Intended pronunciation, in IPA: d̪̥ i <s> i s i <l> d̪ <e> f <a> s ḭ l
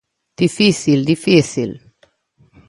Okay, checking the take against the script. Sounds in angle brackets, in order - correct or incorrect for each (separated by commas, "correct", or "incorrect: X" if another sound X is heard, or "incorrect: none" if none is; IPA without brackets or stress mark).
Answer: incorrect: f, correct, incorrect: i, incorrect: i